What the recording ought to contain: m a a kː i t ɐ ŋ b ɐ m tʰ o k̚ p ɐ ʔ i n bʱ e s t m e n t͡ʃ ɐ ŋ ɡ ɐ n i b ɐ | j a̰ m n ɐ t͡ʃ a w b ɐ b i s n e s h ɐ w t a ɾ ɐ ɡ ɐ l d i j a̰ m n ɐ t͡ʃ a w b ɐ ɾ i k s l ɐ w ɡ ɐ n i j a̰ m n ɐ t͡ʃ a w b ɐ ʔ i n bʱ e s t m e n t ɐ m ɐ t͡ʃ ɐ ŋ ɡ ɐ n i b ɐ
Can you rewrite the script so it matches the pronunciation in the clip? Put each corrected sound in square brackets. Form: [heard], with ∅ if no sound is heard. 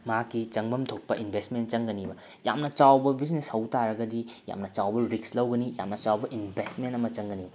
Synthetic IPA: m a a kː i [t͡ʃ] ɐ ŋ b ɐ m tʰ o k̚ p ɐ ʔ i n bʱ e s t m e n t͡ʃ ɐ ŋ ɡ ɐ n i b ɐ | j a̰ m n ɐ t͡ʃ a w b ɐ b i s n e s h ɐ w t a ɾ ɐ ɡ ɐ [∅] d i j a̰ m n ɐ t͡ʃ a w b ɐ ɾ i k s l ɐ w ɡ ɐ n i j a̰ m n ɐ t͡ʃ a w b ɐ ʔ i n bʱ e s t m e n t ɐ m ɐ t͡ʃ ɐ ŋ ɡ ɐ n i b ɐ